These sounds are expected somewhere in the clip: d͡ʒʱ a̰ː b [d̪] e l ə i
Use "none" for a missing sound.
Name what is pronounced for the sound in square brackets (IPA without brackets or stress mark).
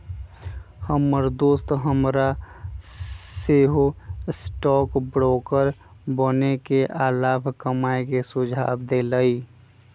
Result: d̪